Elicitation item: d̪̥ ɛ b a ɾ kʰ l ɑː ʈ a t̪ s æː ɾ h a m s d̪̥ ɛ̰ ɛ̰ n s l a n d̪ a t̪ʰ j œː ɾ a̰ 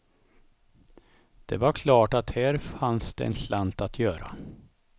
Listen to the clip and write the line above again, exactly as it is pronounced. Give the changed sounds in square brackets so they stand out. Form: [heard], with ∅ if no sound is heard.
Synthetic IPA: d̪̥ ɛ [v] a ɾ kʰ l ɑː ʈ a t̪ [h] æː ɾ [f] a [n] s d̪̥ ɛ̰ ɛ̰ n s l a n [t̪] a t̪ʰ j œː ɾ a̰